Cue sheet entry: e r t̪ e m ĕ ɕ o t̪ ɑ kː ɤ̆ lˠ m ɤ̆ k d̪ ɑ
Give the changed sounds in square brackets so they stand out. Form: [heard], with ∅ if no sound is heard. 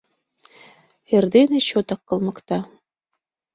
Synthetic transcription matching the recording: e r [d̪] e [n] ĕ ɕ o t̪ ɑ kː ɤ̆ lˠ m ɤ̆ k [t̪] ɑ